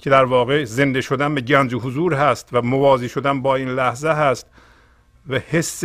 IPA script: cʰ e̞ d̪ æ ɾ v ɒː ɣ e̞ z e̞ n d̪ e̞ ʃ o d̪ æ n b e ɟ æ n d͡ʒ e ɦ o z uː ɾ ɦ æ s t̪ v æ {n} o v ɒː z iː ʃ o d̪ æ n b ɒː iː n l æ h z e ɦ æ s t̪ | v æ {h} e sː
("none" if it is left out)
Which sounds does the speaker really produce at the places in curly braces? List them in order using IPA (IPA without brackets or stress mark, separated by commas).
m, h